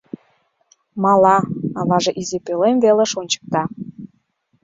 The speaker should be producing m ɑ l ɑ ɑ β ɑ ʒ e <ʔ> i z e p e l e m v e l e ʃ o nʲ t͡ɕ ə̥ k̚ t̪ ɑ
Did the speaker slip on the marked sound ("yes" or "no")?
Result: no